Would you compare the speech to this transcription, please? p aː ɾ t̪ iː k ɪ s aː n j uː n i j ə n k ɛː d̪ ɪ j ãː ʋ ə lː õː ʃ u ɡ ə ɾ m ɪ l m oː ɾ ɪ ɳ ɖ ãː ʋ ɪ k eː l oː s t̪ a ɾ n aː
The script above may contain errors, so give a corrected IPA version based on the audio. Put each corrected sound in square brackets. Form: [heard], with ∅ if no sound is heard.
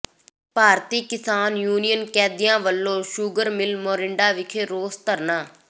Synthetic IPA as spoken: p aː ɾ t̪ iː k ɪ s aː n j uː n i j ə n k ɛː d̪ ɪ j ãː ʋ ə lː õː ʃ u ɡ ə ɾ m ɪ l m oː ɾ ɪ ɳ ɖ [aː] ʋ ɪ [kʰ] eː [ɾ] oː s t̪ [ə] ɾ n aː